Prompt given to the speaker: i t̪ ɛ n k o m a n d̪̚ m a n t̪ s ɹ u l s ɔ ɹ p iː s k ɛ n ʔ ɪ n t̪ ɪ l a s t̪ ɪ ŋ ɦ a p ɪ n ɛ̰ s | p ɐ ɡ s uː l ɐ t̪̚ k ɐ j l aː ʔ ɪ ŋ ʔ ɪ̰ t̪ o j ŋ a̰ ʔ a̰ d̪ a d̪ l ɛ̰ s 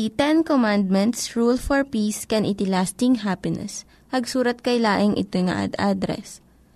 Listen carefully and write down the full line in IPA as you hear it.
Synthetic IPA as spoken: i t̪ ɛ n k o m a n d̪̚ m ɛ n t̪ s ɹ u l f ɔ ɹ p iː s k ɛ n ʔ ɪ t̪ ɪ l a s t̪ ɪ ŋ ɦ a p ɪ n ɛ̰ s | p ɐ ɡ s uː ɾ ɐ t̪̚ k ɐ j l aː ʔ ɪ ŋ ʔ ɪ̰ t̪ o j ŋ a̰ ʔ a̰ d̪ a d̪ ɾ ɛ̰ s